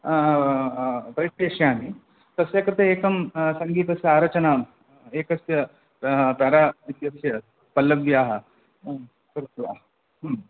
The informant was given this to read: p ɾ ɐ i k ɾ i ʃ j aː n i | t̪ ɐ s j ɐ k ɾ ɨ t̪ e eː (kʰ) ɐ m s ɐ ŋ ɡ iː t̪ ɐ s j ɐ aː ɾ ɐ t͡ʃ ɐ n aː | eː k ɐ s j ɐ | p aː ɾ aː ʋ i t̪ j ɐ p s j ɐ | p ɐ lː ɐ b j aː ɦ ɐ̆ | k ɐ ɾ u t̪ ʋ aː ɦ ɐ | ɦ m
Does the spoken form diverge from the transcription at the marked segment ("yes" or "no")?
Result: yes